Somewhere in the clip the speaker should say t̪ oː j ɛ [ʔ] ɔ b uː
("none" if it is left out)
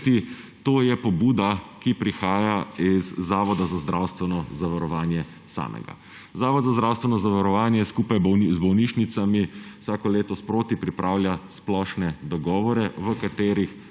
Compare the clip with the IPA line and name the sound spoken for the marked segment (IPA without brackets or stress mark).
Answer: p